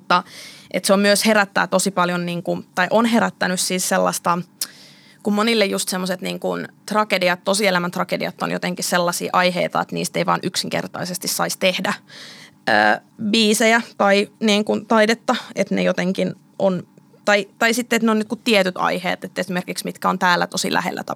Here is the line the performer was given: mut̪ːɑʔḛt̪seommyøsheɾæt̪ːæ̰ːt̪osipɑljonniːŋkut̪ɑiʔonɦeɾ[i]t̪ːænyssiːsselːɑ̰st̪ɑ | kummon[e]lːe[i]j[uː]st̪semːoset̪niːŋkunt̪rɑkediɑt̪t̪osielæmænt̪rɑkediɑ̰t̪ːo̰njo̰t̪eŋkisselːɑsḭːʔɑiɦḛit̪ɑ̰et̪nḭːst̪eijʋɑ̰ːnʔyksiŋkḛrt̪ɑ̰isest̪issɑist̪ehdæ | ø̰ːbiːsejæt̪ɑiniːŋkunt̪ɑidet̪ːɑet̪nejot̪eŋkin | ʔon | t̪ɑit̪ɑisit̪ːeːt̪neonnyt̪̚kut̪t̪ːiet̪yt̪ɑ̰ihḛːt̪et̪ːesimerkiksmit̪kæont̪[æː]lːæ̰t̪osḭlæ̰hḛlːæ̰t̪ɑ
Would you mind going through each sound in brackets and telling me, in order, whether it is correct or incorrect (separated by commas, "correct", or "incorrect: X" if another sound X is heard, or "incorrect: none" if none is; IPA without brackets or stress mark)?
incorrect: æ, incorrect: i, incorrect: j, incorrect: u, correct